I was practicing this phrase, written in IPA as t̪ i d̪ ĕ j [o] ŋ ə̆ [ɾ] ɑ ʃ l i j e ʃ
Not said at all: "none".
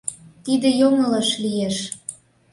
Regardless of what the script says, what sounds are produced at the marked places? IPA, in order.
o, l

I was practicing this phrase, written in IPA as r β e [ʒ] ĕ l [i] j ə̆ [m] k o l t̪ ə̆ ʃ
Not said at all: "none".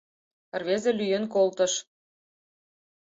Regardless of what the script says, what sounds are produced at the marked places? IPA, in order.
z, y, n

